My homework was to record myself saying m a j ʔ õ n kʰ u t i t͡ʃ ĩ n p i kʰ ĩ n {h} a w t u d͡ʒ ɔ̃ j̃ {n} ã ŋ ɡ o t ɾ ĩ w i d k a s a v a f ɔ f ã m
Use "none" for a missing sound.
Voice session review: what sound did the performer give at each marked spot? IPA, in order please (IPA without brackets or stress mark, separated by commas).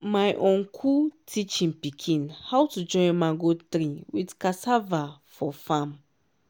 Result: h, m